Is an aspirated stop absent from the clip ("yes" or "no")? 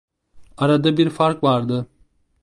yes